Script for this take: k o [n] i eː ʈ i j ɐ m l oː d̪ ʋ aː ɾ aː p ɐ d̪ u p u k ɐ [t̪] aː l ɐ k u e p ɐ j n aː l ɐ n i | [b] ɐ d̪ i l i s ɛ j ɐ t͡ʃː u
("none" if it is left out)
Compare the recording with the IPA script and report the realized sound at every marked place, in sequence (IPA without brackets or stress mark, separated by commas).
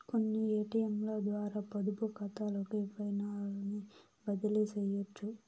nː, t̪, b